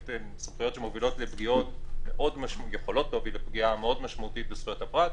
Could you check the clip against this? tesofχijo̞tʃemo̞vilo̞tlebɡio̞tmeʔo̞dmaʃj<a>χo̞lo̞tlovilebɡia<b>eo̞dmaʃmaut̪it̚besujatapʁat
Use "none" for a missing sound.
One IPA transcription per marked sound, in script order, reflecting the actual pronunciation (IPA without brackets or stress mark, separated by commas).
e, m